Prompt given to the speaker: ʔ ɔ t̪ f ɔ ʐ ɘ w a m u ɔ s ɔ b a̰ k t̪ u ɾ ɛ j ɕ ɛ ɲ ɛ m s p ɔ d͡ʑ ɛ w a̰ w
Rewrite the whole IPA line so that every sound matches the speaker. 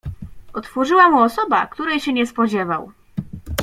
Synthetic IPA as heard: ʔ ɔ t̪ f ɔ ʐ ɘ w a m u ɔ s ɔ b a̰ k t̪ u ɾ ɛ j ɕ ɛ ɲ ɛ s p ɔ d͡ʑ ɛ v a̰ w

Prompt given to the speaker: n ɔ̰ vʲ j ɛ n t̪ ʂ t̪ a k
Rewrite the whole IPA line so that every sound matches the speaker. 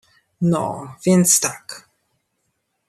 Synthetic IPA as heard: n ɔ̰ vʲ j ɛ n t̪ s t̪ a k

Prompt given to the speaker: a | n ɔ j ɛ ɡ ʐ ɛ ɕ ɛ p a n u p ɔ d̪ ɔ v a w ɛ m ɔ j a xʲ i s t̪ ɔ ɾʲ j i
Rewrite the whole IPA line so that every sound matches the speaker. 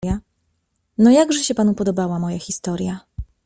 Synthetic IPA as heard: a | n ɔ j a ɡ ʐ ɛ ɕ ɛ p a n u p ɔ d̪ ɔ b a w a m ɔ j a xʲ i s t̪ ɔ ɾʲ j a

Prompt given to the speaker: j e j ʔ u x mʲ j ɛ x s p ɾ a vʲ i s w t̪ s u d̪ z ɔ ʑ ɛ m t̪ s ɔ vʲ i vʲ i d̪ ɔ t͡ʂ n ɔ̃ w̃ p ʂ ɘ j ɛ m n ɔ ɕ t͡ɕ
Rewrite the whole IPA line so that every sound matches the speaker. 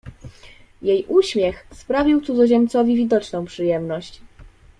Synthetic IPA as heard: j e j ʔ u ɕ mʲ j ɛ x s p ɾ a vʲ i w t̪ s u d̪ z ɔ ʑ ɛ m t̪ s ɔ vʲ i vʲ i d̪ ɔ t͡ʂ n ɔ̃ w̃ p ʂ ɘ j ɛ m n ɔ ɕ t͡ɕ

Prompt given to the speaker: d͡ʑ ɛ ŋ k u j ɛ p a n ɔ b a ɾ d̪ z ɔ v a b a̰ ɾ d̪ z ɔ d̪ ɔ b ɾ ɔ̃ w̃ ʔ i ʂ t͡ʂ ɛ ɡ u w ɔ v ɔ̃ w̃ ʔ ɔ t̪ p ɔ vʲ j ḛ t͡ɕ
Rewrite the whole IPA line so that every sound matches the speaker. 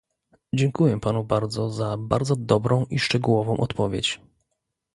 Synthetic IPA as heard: d͡ʑ ɛ ŋ k u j ɛ p a n u b a ɾ d̪ z ɔ z a b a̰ ɾ d̪ z ɔ d̪ ɔ b ɾ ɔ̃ w̃ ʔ i ʂ t͡ʂ ɛ ɡ u w ɔ v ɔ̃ w̃ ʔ ɔ t̪ p ɔ vʲ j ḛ t͡ɕ

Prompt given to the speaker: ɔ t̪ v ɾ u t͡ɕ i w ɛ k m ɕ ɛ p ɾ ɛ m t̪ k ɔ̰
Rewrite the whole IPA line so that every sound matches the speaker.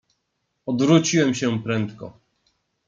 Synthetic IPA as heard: ɔ d̪ v ɾ u t͡ɕ i w ɛ m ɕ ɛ p ɾ ɛ n t̪ k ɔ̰

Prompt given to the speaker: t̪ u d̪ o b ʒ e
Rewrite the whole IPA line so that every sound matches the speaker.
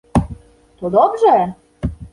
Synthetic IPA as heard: t̪ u d̪ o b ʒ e

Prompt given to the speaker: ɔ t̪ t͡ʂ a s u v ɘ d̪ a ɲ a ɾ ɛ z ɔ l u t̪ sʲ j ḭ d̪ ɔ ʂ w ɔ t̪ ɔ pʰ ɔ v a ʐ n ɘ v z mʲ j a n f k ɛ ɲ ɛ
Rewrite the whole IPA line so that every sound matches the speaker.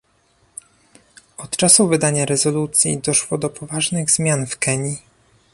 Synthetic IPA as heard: ɔ t̪ t͡ʂ a s u v ɘ d̪ a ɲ a ɾ ɛ z ɔ l u t̪ sʲ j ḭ d̪ ɔ ʂ w ɔ d̪ ɔ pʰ ɔ v a ʐ n ɘ ɣ z mʲ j a n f k ɛ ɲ i

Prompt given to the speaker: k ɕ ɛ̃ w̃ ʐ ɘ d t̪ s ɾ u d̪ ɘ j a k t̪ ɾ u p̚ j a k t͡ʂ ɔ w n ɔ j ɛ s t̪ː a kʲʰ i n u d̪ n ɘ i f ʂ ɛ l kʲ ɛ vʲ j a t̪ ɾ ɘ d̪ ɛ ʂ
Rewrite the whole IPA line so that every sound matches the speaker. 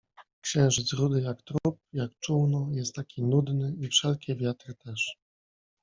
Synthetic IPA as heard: k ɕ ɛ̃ w̃ ʐ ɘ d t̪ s ɾ u d̪ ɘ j a k t̪ ɾ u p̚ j a k t͡ʂ u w n ɔ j ɛ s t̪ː a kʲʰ i n u d̪ n ɘ i f ʂ ɛ l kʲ ɛ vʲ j a t̪ ɾ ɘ t̪ ɛ ʂ

